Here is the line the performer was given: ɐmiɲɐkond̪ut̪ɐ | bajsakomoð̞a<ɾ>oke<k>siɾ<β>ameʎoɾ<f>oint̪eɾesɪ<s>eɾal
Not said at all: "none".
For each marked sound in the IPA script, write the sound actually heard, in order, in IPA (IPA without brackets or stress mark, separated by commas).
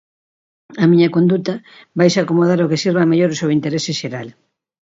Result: ɾ, none, β, s, ʃ